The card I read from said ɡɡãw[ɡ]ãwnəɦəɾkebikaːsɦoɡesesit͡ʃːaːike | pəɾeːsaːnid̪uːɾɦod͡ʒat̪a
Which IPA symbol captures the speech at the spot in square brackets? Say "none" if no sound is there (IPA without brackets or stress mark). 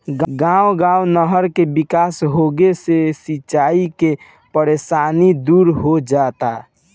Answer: ɡ